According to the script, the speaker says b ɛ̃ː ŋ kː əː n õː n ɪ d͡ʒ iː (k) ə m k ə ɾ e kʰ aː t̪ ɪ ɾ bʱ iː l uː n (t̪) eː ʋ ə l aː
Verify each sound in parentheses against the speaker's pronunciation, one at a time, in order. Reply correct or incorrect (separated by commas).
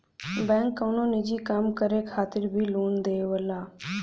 correct, incorrect